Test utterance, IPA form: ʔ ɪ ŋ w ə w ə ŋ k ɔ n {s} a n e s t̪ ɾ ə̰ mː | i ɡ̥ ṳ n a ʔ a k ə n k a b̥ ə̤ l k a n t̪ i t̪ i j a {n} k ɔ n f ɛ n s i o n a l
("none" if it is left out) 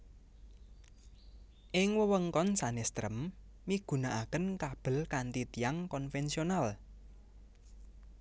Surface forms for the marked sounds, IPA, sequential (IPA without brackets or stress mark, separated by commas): s, ŋ